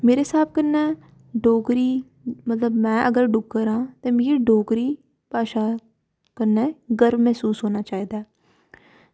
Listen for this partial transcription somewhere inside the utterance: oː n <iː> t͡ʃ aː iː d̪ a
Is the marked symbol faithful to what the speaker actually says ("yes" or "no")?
no